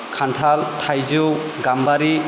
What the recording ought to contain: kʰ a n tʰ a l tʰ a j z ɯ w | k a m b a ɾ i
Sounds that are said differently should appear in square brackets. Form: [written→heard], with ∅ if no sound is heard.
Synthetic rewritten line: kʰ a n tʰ a l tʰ a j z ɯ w | [k→ɡ] a m b a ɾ i